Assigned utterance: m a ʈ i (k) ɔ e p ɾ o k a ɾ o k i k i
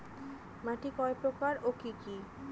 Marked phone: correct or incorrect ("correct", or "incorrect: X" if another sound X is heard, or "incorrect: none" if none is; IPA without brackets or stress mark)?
correct